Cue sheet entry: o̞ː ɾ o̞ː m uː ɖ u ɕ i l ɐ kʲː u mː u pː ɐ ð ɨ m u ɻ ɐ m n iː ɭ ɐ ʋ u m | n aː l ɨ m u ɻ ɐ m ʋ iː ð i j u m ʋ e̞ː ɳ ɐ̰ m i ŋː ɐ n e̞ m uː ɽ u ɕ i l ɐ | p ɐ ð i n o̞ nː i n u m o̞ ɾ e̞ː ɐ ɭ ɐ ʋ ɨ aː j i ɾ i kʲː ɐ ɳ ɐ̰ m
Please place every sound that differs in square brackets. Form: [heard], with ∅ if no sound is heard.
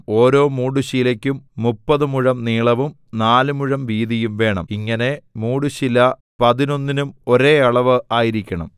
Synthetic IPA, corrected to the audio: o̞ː ɾ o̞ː m uː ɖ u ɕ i l ɐ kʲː u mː u pː ɐ ð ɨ m u ɻ ɐ m n iː ɭ ɐ ʋ u m | n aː l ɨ m u ɻ ɐ m ʋ iː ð i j u m ʋ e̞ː ɳ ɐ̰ m i ŋː ɐ n e̞ m uː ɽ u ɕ i l ɐ | p ɐ ð i n o̞ nː i n u m o̞ ɾ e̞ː ɐ ɭ ɐ ʋ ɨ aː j i ɾ i kʲː ɐ ɳ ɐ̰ m

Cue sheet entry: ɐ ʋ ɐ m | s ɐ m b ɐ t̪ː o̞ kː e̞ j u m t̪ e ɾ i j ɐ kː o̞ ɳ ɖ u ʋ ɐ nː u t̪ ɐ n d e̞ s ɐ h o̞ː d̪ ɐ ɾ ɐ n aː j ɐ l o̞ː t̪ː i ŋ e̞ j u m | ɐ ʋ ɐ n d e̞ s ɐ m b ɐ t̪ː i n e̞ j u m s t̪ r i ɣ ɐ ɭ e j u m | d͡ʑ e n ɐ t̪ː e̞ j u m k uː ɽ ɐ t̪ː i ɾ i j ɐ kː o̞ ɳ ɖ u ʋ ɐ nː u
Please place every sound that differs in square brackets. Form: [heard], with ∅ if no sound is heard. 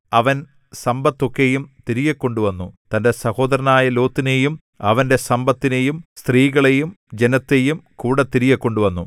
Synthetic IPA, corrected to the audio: ɐ ʋ ɐ [n] | s ɐ m b ɐ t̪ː o̞ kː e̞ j u m t̪ [i] ɾ i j ɐ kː o̞ ɳ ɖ u ʋ ɐ nː u t̪ ɐ n d e̞ s ɐ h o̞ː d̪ ɐ ɾ ɐ n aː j ɐ l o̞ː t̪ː i [n] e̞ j u m | ɐ ʋ ɐ n d e̞ s ɐ m b ɐ t̪ː i n e̞ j u m s t̪ r [iː] ɣ ɐ ɭ e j u m | d͡ʑ e n ɐ t̪ː e̞ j u m k uː ɽ ɐ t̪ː i ɾ i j ɐ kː o̞ ɳ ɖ u ʋ ɐ nː u

